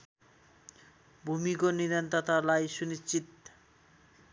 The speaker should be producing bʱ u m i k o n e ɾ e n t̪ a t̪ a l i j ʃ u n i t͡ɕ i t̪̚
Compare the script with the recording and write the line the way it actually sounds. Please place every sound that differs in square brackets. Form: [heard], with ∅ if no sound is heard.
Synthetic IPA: bʱ u m i k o n [i] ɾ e n t̪ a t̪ a l [a] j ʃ u n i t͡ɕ i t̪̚